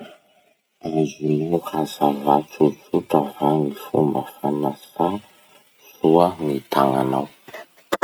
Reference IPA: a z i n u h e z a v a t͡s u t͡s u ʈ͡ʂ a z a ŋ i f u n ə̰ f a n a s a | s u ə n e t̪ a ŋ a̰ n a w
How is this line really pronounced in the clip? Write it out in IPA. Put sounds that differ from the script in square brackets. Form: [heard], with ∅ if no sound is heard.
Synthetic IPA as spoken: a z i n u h [a] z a v a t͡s u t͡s u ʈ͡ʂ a [v] a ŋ i f u [m] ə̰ f a n a s a | s u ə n [i] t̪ a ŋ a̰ n a w